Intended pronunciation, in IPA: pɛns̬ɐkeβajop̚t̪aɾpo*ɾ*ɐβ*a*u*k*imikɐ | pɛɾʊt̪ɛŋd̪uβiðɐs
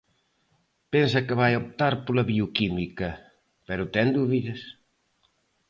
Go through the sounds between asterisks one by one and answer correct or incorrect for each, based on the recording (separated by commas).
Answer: incorrect, incorrect, correct